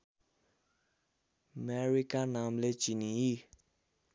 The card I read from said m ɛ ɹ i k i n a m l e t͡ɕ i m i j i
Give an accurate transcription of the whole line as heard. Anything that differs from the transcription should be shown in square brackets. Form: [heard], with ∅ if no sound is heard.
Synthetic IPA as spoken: m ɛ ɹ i k [a] n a m l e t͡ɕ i [n] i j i